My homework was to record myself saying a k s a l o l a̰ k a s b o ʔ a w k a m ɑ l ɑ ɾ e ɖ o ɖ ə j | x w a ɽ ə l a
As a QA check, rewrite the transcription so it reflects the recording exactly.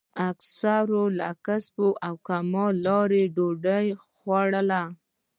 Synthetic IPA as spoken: a k s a ɾ o l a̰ k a s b o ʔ a w k a m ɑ l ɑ ɾ e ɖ o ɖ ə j | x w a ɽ ə l a

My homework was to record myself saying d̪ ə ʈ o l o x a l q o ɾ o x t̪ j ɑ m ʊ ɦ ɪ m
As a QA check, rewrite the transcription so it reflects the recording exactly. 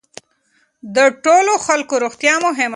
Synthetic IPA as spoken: d̪ ə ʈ o l o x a l k o ɾ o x t̪ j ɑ m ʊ ɦ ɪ m

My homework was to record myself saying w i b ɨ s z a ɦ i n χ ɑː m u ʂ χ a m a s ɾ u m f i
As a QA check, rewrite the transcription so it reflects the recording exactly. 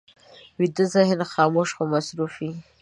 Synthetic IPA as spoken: w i d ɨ z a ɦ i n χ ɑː m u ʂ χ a m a s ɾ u f i

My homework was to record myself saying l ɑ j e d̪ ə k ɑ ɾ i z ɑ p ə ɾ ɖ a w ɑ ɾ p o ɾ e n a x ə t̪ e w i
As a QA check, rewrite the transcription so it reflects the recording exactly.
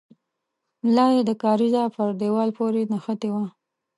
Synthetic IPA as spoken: l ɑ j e d̪ ə k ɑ ɾ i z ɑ p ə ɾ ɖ e w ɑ l p o ɾ e n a x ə t̪ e w a

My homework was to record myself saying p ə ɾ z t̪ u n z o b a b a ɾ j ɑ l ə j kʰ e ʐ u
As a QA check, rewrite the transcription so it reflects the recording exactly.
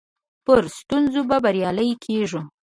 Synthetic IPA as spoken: p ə ɾ s t̪ u n z o b a b a ɾ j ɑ l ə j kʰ e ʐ u

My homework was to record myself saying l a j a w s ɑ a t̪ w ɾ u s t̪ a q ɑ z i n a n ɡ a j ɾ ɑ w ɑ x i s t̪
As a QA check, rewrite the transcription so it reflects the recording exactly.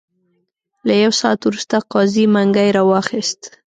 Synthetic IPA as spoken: l a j a w s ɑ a t̪ w ɾ u s t̪ a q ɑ z i m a ŋ ɡ a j ɾ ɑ w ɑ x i s t̪

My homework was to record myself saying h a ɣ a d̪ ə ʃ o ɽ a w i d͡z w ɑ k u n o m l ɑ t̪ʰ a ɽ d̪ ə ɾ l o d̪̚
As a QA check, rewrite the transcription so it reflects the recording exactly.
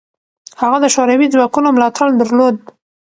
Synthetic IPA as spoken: h a ɣ a d̪ ə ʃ o ɾ a w i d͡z w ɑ k u n o m l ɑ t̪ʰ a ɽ d̪ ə ɾ l o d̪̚

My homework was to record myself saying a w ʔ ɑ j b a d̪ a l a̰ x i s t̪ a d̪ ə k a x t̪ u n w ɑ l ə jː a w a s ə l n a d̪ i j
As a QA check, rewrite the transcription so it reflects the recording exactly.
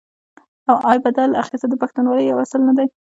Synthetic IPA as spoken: a w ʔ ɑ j b a d̪ a l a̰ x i s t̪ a d̪ ə p a x t̪ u n w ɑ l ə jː a w a s ə l n a d̪ a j

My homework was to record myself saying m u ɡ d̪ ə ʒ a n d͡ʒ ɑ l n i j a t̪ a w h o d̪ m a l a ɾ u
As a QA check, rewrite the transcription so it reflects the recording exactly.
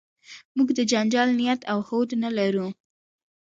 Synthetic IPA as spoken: m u ɡ d̪ ə d͡ʒ a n d͡ʒ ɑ l n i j a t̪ a w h o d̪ n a l a ɾ u

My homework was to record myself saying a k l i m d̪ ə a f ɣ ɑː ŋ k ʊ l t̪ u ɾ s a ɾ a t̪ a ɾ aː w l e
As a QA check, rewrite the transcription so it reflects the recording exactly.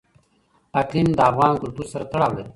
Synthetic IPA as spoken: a k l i m d̪ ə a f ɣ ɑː n k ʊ l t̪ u ɾ s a ɾ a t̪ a ɽ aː w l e

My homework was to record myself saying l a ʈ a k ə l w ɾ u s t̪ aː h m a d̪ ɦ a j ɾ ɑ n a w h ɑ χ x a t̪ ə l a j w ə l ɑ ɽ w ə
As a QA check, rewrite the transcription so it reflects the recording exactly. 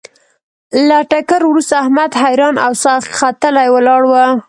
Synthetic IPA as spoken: l a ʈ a k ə ɾ w ɾ u s t̪ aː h m a d̪ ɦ a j ɾ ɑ n a w s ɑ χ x a t̪ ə l a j w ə l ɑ ɽ w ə

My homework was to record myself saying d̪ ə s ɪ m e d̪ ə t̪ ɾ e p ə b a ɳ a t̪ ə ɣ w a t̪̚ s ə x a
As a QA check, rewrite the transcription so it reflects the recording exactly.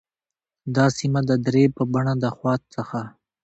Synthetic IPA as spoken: d̪ ɑ s i m a d̪ ə d̪ ɾ e p ə b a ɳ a d̪ ə x w ɑ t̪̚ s ə x a

